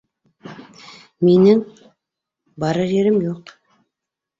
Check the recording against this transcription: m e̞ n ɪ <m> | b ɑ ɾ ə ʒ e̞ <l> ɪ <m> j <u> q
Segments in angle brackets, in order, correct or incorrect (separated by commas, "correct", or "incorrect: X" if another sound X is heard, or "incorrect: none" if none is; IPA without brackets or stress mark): incorrect: ŋ, incorrect: ɾ, correct, incorrect: o